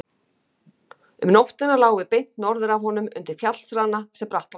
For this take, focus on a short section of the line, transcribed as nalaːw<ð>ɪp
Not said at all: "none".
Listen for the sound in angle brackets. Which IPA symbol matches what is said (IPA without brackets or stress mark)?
v